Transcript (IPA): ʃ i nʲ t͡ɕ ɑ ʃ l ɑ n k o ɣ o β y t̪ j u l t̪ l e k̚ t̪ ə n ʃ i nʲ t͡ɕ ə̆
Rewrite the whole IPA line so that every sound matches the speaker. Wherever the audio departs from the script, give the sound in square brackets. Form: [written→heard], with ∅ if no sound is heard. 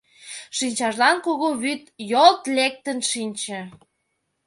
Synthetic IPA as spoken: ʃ i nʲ t͡ɕ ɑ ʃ l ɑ n k o ɣ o β y t̪ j [u→o] l t̪ l e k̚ t̪ ə n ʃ i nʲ t͡ɕ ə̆